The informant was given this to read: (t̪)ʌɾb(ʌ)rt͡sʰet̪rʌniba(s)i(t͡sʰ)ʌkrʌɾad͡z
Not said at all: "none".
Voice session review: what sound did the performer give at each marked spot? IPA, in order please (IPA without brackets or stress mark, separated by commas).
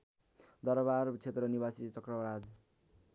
d̪, a, s, t͡s